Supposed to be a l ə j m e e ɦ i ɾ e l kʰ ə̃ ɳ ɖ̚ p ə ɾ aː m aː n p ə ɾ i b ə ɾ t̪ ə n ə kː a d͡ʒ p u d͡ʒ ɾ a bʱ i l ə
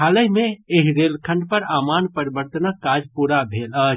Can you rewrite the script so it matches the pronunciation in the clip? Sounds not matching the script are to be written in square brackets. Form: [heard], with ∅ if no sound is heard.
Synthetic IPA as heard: a l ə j m e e ɦ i ɾ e l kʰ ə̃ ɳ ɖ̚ p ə ɾ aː m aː n p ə ɾ i b ə ɾ t̪ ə n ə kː a d͡ʒ p u [∅] ɾ a bʱ [e] l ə